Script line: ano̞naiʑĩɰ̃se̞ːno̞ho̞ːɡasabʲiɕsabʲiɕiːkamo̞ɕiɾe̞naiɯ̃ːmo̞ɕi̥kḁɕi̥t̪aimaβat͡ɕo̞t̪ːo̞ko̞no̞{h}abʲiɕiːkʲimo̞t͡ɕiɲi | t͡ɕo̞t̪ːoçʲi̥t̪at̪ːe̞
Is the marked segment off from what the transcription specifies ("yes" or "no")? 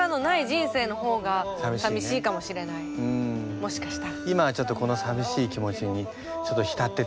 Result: yes